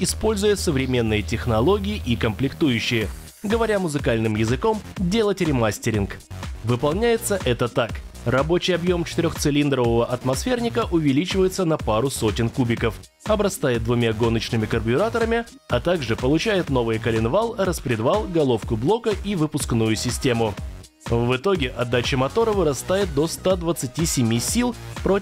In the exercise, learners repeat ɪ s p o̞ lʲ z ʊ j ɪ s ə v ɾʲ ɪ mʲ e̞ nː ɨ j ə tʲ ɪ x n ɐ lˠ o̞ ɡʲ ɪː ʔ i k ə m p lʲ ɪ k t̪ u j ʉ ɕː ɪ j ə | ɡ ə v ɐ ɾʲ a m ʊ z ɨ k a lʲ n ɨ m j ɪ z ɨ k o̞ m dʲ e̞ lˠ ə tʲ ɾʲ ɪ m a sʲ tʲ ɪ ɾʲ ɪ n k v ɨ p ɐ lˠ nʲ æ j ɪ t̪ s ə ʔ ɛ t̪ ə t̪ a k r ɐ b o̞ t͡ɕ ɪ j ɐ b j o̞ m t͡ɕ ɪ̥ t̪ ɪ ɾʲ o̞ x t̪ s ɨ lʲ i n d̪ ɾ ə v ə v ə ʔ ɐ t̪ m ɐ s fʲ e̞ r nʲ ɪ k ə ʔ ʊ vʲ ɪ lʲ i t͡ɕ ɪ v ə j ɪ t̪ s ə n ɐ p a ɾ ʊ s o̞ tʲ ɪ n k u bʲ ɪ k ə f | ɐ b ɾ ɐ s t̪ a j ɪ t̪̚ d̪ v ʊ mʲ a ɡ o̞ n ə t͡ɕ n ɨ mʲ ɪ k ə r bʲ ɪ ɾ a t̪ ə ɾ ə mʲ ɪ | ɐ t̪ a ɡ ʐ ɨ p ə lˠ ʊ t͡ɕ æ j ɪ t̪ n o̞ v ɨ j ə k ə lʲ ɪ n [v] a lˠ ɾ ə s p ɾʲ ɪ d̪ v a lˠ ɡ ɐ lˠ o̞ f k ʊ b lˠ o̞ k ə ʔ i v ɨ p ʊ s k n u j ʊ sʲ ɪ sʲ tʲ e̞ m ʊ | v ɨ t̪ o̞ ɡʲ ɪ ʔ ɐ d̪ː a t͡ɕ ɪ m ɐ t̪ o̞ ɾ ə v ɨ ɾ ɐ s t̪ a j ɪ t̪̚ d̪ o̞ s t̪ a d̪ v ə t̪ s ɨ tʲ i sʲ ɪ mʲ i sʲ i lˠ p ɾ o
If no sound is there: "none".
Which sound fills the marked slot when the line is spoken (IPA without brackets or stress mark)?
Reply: v